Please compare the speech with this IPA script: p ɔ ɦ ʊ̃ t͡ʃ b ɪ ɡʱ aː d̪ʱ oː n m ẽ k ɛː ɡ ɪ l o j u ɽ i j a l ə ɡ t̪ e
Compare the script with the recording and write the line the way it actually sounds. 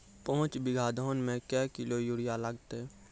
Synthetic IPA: p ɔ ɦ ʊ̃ t͡ʃ b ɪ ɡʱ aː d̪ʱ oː n m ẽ k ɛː k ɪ l o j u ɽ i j a l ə ɡ t̪ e